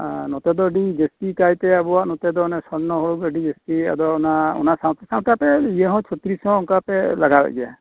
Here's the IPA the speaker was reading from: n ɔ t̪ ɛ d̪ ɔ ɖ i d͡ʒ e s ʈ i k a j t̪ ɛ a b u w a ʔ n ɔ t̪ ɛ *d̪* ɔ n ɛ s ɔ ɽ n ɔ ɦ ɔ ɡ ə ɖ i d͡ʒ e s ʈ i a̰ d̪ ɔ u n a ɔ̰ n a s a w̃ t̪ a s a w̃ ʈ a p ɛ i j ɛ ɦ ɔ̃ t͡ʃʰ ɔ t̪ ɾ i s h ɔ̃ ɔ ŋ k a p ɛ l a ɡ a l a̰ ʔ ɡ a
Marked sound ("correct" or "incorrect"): correct